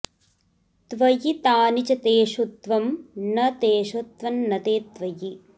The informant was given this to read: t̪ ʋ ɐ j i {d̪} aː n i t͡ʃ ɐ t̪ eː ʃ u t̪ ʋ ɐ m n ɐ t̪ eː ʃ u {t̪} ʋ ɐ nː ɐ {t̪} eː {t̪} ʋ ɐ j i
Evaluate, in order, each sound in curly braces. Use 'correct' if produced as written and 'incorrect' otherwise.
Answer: incorrect: t̪, correct, correct, correct

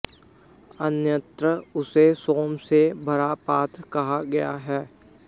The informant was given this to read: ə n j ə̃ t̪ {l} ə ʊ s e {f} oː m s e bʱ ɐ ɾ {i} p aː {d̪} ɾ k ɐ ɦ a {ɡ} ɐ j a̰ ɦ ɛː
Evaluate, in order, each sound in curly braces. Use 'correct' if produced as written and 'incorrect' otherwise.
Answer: incorrect: ɾ, incorrect: s, incorrect: a, incorrect: t̪, correct

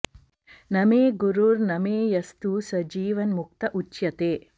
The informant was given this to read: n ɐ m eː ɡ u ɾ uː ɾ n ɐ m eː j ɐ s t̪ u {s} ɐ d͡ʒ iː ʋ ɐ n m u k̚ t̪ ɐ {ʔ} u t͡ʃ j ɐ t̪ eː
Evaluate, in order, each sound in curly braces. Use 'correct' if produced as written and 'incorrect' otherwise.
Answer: correct, correct

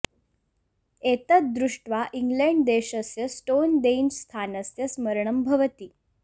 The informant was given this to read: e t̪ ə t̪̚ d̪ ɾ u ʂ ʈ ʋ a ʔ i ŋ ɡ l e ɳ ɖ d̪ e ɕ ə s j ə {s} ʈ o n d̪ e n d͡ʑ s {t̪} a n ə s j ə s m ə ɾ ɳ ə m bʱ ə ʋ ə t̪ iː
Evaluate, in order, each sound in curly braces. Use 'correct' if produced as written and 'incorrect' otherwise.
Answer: correct, incorrect: t̪ʰ

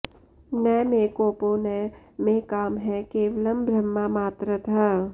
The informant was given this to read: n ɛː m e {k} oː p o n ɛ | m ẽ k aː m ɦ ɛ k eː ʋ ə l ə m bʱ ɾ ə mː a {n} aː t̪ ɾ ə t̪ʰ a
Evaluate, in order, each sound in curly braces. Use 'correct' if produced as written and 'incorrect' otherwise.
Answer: correct, incorrect: m

